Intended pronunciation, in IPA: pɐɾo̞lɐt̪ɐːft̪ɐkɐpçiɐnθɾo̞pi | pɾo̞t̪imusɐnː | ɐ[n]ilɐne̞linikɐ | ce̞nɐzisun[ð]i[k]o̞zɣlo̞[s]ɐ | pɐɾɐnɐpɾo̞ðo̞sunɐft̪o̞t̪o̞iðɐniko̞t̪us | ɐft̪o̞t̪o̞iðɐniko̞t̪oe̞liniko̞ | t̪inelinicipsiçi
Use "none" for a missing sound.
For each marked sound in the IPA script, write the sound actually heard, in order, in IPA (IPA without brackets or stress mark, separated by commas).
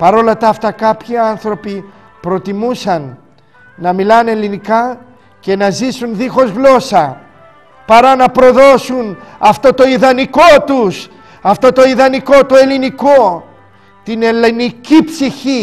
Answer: m, ð, x, s